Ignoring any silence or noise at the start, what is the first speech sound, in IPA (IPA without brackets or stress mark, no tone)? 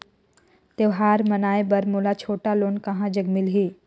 t̪